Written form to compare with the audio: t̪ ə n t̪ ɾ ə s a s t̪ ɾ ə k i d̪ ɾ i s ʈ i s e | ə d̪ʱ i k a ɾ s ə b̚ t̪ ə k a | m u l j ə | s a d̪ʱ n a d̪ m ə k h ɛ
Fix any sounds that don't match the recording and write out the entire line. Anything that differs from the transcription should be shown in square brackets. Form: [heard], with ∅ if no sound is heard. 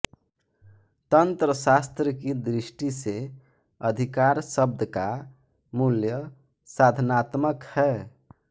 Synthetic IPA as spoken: t̪ ə n t̪ ɾ ə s a s t̪ ɾ ə k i d̪ ɾ i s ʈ i s e | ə d̪ʱ i k a ɾ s ə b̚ [d̪] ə k a | m u l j ə | s a d̪ʱ n a [t̪] m ə k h ɛ